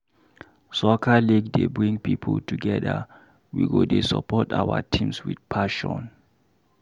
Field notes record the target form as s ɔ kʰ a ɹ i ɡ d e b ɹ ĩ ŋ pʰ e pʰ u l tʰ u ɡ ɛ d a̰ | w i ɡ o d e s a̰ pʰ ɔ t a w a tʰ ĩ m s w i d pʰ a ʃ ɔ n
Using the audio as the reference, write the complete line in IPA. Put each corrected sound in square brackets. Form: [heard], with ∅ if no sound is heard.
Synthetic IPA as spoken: s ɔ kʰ a [l] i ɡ d e b ɹ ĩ ŋ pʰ [i] pʰ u l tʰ u ɡ ɛ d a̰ | w i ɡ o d e s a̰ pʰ ɔ t a w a tʰ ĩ m s w i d pʰ a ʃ ɔ n